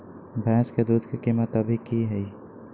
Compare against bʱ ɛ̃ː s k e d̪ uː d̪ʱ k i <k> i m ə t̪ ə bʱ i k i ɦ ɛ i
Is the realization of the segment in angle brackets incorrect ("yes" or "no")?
no